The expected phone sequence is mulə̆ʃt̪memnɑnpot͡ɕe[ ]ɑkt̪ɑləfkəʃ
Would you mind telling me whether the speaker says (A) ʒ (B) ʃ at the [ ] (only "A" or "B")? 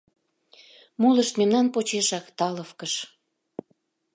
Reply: B